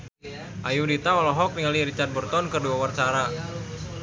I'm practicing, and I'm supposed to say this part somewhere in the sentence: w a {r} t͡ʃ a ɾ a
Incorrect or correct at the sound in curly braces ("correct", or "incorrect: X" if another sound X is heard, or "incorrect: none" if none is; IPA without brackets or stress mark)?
correct